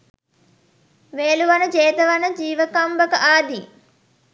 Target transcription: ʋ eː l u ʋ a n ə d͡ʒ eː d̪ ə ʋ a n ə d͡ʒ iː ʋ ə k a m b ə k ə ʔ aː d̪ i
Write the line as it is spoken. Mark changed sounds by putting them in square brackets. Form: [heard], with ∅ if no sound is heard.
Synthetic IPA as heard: ʋ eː l u ʋ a n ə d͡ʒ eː [t̪] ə ʋ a n ə d͡ʒ iː ʋ ə k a m b ə k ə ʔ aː d̪ i